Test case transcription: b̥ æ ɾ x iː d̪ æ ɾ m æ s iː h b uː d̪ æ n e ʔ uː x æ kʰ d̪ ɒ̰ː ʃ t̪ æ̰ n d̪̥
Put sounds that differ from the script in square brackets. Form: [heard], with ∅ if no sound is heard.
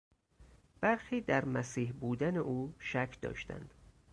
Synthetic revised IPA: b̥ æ ɾ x iː d̪ æ ɾ m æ s iː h b uː d̪ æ n e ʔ uː [ʃ] æ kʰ d̪ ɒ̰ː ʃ t̪ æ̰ n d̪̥